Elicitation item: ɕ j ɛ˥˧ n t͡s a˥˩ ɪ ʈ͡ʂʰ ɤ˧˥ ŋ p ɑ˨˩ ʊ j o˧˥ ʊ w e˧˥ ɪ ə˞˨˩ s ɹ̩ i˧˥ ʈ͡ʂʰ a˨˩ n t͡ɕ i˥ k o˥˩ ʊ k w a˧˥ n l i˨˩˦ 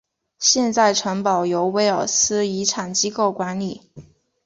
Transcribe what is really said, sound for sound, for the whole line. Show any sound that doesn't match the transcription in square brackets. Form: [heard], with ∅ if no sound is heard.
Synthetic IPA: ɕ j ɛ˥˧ n t͡s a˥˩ ɪ ʈ͡ʂʰ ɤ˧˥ ŋ p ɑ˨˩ ʊ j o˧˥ ʊ w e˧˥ ɪ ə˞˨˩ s ɹ̩ i˧˥ ʈ͡ʂʰ a˨˩ n t͡ɕ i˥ k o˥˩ ʊ k w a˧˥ n l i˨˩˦